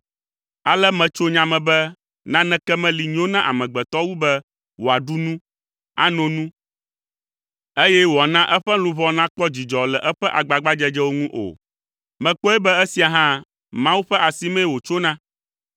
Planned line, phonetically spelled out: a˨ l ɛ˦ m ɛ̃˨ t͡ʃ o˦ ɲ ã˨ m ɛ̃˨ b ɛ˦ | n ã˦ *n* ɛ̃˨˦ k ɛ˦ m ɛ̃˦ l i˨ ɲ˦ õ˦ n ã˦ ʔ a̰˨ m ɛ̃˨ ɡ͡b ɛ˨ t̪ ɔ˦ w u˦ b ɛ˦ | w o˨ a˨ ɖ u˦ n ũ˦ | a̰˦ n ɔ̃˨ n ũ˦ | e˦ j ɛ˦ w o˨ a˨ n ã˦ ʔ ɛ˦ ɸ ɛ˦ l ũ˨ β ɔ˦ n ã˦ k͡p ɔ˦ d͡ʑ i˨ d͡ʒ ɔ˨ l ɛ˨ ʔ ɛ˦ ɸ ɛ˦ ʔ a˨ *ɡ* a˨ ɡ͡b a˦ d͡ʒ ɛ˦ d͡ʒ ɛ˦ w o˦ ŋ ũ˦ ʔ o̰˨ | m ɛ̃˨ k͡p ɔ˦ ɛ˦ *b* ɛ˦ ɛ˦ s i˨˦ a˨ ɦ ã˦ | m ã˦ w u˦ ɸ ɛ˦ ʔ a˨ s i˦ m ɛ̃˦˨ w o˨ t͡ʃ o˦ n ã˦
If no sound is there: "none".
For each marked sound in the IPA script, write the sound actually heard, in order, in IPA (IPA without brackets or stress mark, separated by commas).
n, ɡ͡b, b